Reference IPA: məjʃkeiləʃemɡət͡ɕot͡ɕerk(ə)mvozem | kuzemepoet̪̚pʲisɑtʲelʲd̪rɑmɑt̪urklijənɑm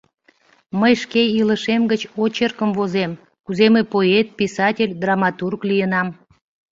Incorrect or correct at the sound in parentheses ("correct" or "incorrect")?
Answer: correct